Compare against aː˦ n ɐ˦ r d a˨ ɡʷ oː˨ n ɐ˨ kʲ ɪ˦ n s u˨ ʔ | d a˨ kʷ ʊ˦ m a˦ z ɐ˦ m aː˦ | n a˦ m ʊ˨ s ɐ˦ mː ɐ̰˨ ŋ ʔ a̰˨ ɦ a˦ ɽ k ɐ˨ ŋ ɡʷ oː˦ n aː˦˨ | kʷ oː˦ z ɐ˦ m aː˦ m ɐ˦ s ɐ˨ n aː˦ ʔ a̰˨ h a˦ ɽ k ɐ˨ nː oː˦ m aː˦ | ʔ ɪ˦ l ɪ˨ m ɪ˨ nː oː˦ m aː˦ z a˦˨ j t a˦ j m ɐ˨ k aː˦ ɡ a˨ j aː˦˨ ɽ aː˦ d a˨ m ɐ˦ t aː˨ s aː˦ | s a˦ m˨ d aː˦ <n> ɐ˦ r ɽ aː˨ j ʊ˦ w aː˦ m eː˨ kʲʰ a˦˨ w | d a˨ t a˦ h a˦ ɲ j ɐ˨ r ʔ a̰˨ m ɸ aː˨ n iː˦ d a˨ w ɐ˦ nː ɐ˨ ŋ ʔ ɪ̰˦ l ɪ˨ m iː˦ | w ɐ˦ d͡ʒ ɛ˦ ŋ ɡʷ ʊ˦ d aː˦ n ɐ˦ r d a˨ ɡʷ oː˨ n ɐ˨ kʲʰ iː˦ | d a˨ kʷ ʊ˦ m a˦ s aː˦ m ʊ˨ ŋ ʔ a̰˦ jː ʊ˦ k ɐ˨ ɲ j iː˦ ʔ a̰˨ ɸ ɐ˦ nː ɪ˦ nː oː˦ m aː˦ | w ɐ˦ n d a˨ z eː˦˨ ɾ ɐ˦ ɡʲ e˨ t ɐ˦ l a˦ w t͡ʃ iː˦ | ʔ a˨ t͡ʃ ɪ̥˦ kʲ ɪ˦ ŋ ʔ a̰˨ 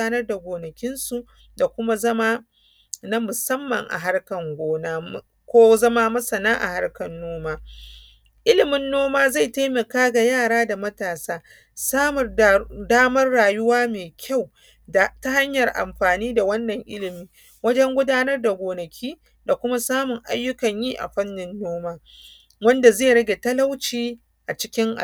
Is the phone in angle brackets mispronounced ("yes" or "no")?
yes